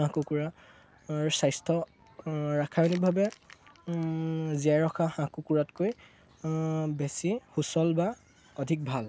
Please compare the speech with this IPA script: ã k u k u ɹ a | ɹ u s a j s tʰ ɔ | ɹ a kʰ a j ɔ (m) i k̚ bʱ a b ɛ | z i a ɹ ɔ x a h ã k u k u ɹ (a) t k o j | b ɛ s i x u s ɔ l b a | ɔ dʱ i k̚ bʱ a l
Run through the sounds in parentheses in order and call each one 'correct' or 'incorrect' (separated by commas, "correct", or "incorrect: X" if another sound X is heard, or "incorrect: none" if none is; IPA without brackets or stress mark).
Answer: incorrect: n, correct